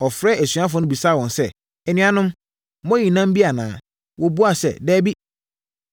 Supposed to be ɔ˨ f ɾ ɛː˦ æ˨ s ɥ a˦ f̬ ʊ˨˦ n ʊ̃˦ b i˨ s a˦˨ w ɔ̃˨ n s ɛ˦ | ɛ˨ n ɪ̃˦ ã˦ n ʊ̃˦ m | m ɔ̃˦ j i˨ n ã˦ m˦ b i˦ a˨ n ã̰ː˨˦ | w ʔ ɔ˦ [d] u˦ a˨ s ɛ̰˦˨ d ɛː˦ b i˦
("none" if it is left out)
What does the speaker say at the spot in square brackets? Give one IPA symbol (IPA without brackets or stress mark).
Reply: b